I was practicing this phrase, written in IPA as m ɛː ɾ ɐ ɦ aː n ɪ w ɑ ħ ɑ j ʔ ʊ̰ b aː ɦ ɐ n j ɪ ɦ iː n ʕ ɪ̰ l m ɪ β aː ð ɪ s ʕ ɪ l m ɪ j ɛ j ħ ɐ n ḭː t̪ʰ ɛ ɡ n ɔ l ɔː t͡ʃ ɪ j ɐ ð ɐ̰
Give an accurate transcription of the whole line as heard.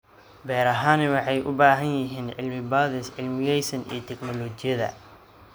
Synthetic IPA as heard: b ɛː ɾ ɐ ɦ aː n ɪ w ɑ ħ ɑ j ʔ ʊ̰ b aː ɦ ɐ n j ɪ ɦ iː n ʕ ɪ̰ l m ɪ b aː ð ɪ s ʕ ɪ l m ɪ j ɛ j s ɐ n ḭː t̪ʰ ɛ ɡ n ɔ l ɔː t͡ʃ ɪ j ɐ ð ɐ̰